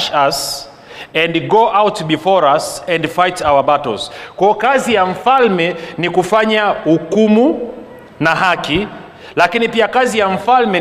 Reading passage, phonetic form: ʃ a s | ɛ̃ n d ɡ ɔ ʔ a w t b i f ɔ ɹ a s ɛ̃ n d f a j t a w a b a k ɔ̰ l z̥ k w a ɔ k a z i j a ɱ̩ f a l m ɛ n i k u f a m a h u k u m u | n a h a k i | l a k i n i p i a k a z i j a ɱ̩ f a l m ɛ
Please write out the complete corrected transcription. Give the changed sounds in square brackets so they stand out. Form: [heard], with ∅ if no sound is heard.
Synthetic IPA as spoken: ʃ a s | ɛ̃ n d ɡ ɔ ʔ a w t b i f ɔ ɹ a s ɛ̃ n d f a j t a w a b a [t] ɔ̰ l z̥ k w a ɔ k a z i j a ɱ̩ f a l m ɛ n i k u f a [ɲ] a h u k u m u | n a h a k i | l a k i n i p i a k a z i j a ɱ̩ f a l m ɛ